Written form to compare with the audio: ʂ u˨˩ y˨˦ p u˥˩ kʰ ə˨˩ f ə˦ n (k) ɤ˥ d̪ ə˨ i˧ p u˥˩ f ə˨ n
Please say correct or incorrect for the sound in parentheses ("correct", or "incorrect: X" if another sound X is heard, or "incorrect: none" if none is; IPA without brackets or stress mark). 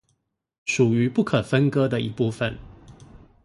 correct